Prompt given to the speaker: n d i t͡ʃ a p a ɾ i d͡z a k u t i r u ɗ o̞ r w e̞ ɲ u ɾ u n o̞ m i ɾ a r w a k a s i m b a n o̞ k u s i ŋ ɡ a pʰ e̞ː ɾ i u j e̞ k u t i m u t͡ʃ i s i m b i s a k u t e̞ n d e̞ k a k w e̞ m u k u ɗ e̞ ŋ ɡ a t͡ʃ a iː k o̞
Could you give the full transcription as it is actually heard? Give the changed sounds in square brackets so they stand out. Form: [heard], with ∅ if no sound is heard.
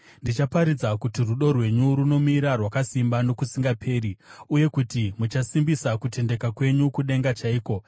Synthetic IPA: n d i t͡ʃ a p a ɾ i d͡z a k u t i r u ɗ o̞ r w e̞ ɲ u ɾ u n o̞ m i ɾ a r w a k a s i m b a n o̞ k u s i ŋ ɡ a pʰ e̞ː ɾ i u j e̞ k u t i m u t͡ʃ [a] s i m b i s a k u t e̞ n d e̞ k a k w e̞ [ɲ] u k u ɗ e̞ ŋ ɡ a t͡ʃ a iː k o̞